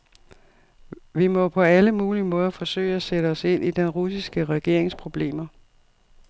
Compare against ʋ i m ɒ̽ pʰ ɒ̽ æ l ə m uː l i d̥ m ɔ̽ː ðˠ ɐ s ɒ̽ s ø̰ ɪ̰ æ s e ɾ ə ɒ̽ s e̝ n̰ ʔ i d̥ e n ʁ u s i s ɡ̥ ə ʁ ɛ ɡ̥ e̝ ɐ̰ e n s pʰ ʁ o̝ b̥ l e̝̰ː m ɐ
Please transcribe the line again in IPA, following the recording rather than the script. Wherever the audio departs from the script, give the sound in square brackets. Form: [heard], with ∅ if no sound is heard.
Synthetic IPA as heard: ʋ i m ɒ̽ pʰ ɒ̽ æ l ə m uː l i [∅] m ɔ̽ː ðˠ ɐ [f] ɒ̽ s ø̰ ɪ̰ æ s e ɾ ə ɒ̽ s e̝ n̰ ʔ i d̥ e n ʁ u s i s ɡ̥ ə ʁ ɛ ɡ̥ e̝ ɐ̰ e [ŋ] s pʰ ʁ o̝ b̥ l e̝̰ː m ɐ

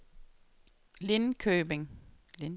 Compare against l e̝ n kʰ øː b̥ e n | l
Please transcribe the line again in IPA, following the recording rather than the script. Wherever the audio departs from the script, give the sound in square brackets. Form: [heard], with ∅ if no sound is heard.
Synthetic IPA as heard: l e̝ n kʰ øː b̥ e [ŋ] | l

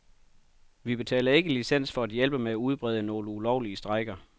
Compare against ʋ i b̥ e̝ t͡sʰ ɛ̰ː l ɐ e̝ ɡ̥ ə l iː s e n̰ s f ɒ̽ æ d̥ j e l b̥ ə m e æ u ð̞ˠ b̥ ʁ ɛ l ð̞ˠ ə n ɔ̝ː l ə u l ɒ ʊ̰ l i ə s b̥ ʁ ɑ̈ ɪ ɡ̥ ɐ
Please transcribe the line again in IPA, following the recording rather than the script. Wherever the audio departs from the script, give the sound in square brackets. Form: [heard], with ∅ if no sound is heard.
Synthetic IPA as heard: ʋ i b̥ e̝ t͡sʰ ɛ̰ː l ɐ e̝ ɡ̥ ə l [i] s e n̰ s f ɒ̽ æ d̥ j e l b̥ ə m e æ u ð̞ˠ b̥ ʁ ɛ [∅] ð̞ˠ ə n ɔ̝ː l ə u l ɒ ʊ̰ l i ə s [d̥] ʁ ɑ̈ ɪ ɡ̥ ɐ

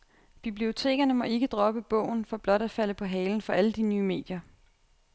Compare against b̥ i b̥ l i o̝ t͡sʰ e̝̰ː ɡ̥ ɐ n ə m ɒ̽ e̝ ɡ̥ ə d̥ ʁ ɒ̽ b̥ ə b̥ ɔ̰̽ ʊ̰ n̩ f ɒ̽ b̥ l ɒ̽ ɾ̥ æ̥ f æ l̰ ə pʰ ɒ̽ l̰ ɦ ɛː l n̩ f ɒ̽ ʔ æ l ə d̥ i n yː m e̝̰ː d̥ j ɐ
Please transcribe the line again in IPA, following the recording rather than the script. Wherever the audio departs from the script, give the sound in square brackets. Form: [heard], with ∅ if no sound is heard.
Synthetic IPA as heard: b̥ i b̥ l i o̝ t͡sʰ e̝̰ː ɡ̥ ɐ n ə m ɒ̽ e̝ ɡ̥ ə d̥ ʁ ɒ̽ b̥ ə b̥ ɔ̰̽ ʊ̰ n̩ f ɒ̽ b̥ l ɒ̽ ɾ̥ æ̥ f æ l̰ ə pʰ ɒ̽ [∅] ɦ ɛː l n̩ f ɒ̽ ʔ æ l ə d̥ i n yː m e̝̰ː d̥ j ɐ

